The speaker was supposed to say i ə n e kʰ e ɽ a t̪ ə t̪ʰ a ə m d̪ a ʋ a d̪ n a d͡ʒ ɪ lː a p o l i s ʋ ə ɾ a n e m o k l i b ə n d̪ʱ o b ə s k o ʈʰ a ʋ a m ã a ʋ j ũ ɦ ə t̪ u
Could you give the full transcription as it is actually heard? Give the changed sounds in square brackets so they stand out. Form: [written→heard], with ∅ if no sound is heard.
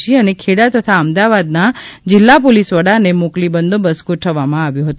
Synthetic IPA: i ə n e kʰ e ɽ a t̪ ə t̪ʰ a ə m d̪ a ʋ a d̪ n a d͡ʒ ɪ lː a p o l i s ʋ ə [ɾ→ɽ] a n e m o k l i b ə n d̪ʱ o b ə s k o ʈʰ [a→ə] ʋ a m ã a ʋ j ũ ɦ ə t̪ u